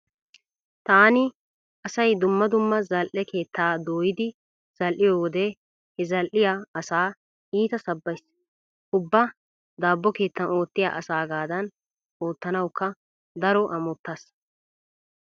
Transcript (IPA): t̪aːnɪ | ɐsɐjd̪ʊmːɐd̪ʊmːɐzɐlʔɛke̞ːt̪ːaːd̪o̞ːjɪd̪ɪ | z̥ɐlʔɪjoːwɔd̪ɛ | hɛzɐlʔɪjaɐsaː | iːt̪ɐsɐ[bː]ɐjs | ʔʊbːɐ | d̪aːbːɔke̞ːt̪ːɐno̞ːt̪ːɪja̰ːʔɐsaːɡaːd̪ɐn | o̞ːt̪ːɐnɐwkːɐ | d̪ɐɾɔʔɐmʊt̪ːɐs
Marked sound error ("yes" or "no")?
no